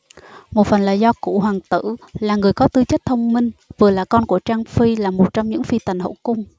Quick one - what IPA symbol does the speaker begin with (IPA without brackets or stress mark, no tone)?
m